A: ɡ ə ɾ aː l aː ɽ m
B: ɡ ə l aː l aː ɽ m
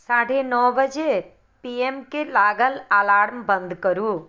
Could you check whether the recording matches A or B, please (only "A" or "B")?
B